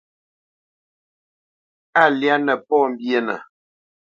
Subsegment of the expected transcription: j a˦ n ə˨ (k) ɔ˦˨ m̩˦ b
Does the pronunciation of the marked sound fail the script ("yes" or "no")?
yes